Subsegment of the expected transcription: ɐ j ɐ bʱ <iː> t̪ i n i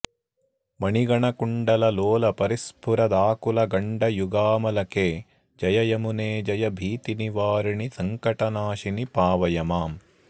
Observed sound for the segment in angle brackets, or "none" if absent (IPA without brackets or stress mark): iː